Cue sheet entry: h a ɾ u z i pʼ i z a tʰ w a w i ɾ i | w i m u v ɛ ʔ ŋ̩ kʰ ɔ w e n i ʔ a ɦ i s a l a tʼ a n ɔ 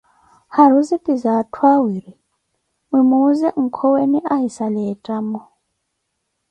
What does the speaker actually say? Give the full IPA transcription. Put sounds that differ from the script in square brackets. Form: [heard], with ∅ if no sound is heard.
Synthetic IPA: h a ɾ u z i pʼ i z a tʰ w a w i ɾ i | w i m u [z] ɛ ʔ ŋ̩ kʰ ɔ w e n i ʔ a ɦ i s a l [ɛ] tʼ a [m] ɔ